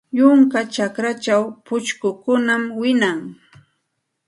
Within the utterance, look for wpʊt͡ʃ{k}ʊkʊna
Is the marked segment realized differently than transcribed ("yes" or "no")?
no